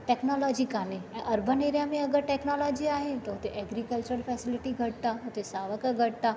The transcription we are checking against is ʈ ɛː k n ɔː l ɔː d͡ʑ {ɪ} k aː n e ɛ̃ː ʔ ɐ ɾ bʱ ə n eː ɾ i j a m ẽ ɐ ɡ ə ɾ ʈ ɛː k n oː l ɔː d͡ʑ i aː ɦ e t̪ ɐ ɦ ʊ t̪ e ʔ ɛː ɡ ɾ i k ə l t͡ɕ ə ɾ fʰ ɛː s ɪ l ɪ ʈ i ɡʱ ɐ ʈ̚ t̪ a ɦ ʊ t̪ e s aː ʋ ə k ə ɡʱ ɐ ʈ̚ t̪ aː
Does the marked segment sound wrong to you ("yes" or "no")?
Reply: yes